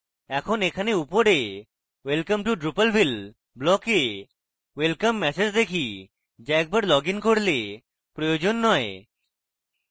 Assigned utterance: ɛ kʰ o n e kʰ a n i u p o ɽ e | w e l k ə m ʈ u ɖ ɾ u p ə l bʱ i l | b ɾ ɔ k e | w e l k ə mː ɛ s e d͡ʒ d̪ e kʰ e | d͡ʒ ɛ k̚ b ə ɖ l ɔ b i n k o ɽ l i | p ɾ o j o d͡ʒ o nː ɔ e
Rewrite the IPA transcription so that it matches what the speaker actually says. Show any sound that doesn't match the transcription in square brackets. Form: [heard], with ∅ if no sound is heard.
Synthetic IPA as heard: ɛ kʰ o n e kʰ a n [e] u p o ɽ e | w e l k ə m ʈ u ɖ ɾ u p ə l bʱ i l | b [l] ɔ k e | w e l k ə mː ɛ s e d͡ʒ d̪ e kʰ [i] | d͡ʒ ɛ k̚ b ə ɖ l ɔ [ɡ] i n k o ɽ l [e] | p ɾ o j o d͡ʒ o nː ɔ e